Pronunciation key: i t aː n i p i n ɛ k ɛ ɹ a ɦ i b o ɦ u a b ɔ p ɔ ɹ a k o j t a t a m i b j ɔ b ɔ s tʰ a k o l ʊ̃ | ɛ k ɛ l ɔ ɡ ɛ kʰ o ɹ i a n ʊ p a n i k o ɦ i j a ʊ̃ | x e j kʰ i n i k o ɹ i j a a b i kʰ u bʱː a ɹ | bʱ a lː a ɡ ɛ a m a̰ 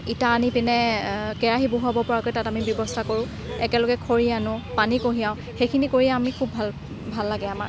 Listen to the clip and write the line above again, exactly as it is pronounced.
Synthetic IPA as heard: i t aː n i p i n ɛ k ɛ ɹ a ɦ i b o ɦ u a b ɔ p ɔ ɹ a k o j t a t a m i b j ɔ b ɔ s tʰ a k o ɹ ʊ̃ | ɛ k ɛ l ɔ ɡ ɛ kʰ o ɹ i a n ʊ p a n i k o ɦ i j a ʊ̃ | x e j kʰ i n i k o ɹ i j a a m i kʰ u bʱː a l | bʱ a lː a ɡ ɛ a m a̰